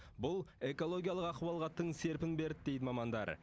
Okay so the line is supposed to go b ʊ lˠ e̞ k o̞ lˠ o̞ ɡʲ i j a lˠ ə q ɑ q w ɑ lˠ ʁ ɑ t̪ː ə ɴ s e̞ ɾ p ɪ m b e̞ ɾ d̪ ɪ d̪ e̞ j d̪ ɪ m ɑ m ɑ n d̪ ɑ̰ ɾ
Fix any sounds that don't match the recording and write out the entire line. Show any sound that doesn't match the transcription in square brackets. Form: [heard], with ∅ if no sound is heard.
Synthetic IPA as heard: b ʊ lˠ e̞ k o̞ lˠ o̞ ɡʲ i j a lˠ ə q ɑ q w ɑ lˠ ʁ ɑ t̪ː ə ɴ s e̞ ɾ p ɪ [n] b e̞ ɾ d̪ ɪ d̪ e̞ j d̪ ɪ m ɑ m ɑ n d̪ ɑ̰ ɾ